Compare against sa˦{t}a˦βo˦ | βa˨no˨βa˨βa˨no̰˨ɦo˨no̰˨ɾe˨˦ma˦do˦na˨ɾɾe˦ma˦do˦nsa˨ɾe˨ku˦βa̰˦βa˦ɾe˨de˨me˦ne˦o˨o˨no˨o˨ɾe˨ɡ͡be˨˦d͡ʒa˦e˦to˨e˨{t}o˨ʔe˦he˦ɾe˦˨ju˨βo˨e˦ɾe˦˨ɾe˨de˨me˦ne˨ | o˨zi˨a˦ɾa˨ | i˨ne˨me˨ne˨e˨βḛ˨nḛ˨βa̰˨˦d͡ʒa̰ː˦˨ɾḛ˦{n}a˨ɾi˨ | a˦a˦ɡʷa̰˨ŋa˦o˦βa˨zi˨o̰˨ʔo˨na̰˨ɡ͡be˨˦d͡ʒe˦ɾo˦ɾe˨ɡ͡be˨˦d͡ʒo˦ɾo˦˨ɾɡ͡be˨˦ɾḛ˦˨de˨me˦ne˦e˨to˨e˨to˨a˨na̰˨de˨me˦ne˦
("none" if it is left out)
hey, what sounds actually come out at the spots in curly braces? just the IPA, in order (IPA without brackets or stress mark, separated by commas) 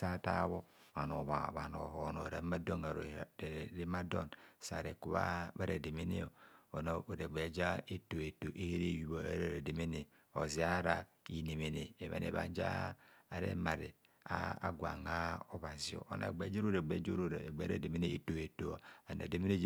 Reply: t, t, m